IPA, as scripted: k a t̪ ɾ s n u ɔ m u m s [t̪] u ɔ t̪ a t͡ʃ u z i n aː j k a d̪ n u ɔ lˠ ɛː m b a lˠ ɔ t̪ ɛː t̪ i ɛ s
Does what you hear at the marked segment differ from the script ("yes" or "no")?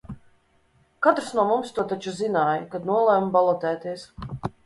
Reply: no